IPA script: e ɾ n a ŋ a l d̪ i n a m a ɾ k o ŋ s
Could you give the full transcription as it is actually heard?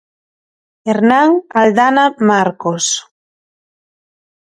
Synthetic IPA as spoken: e ɾ n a ŋ a l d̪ a n a m a ɾ k o s